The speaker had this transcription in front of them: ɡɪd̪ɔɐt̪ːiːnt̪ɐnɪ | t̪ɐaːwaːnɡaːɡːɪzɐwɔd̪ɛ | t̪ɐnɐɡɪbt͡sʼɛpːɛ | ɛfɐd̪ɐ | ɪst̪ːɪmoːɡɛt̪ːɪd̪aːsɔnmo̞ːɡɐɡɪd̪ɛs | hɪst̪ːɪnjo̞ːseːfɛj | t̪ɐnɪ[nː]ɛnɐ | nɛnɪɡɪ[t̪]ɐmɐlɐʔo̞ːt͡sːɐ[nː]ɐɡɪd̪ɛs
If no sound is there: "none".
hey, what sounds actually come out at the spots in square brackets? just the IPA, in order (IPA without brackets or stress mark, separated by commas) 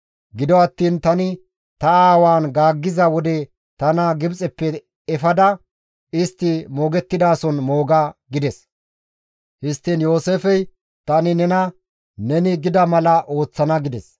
n, d̪, n